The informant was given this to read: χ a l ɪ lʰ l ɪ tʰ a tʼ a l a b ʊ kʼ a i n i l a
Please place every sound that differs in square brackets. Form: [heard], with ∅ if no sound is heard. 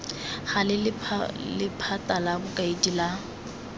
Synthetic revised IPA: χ a l ɪ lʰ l ɪ [pʰ] a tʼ a l a b ʊ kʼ a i [d] i l a